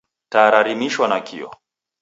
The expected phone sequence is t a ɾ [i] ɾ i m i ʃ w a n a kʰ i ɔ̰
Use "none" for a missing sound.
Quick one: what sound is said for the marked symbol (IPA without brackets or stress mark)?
a